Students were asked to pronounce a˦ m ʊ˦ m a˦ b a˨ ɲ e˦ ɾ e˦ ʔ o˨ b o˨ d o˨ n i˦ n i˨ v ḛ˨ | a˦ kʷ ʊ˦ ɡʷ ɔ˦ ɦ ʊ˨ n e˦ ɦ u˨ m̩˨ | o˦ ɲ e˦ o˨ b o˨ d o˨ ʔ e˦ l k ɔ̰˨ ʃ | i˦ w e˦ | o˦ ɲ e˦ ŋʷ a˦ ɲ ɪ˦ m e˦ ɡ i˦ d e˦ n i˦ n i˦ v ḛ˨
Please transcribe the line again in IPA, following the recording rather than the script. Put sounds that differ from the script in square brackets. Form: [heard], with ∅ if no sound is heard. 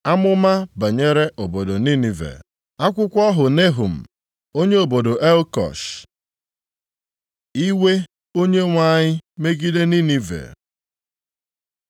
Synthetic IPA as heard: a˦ m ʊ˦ m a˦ b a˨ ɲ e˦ ɾ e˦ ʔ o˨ b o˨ d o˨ n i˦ n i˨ v ḛ˨ | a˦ kʷ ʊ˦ [kʷ] ɔ˦ ɦ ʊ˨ n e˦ ɦ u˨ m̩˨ | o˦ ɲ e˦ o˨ b o˨ d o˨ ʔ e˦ l k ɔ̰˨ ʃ | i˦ w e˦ | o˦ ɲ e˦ ŋʷ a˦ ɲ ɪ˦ m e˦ ɡ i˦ d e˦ n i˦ n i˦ v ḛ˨